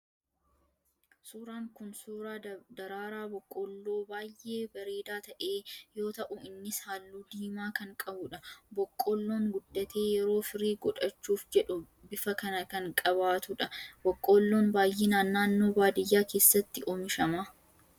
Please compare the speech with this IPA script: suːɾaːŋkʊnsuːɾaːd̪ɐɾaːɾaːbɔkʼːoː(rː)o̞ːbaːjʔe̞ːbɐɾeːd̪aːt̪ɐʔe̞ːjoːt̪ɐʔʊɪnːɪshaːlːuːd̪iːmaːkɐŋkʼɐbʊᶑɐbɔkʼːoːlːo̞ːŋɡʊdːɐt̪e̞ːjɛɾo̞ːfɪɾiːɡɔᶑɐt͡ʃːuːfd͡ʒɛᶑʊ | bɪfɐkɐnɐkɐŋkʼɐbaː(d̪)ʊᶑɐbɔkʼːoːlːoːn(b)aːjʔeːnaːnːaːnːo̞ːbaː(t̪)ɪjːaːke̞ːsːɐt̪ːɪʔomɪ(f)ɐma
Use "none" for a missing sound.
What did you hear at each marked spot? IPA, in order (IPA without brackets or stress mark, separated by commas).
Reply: lː, t̪, b, d̪, ʃ